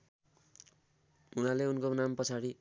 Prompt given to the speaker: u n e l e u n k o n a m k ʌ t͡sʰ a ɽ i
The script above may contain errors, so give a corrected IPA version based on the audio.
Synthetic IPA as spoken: u n a l e u n k o n a m p ʌ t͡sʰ a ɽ i